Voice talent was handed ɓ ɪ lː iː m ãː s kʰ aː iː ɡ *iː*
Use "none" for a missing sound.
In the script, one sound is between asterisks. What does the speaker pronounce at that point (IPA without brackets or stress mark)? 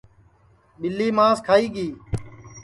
iː